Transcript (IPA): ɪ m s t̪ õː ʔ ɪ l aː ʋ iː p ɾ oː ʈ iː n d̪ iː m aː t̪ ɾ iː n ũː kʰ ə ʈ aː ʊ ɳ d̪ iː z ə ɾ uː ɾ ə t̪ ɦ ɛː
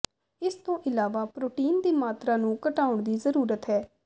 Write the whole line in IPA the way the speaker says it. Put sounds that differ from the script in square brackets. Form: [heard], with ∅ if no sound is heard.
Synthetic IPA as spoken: ɪ [∅] s t̪ õː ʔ ɪ l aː ʋ [aː] p ɾ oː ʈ iː n d̪ iː m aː t̪ ɾ [aː] n ũː [k] ə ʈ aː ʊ ɳ d̪ iː z ə ɾ uː ɾ ə t̪ ɦ ɛː